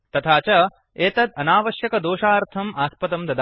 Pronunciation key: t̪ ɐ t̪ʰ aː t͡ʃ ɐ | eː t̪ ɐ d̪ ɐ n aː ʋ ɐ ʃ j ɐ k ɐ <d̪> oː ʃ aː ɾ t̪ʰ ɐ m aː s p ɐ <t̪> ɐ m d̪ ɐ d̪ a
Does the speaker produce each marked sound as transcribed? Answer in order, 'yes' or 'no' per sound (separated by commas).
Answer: yes, yes